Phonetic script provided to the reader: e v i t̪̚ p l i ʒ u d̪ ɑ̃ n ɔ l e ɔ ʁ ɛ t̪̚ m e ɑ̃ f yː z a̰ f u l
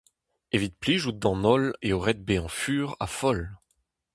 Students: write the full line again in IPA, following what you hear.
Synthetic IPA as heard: e v i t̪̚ p l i ʒ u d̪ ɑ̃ n ɔ l e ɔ ʁ ɛ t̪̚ b e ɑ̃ f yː ʁ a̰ f ɔ l